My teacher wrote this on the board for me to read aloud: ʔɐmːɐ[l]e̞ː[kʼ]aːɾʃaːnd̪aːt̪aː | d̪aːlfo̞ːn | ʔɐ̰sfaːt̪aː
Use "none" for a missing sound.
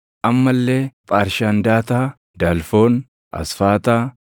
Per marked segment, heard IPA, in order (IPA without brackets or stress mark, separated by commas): lː, pʼ